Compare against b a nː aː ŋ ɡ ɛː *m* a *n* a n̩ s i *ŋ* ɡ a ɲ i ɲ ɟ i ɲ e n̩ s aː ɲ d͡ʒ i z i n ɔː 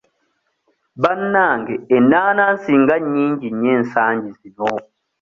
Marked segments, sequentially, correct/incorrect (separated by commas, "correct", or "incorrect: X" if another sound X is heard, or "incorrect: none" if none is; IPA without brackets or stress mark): incorrect: n, correct, correct